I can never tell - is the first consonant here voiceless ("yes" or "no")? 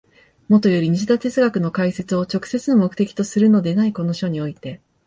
no